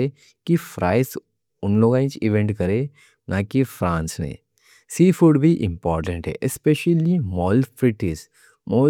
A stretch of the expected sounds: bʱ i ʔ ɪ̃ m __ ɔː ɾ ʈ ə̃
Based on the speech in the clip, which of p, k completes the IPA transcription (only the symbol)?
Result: p